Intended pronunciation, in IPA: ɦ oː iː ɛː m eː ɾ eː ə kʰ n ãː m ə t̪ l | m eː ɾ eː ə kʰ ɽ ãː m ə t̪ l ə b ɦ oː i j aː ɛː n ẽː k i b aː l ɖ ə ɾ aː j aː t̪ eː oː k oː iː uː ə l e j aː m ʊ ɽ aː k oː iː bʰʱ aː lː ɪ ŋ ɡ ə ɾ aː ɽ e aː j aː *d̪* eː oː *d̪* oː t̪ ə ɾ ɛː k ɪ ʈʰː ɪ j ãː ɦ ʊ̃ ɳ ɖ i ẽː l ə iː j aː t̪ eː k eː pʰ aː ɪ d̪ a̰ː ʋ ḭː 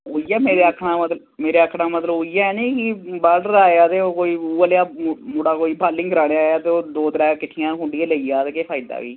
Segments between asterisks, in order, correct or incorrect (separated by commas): incorrect, correct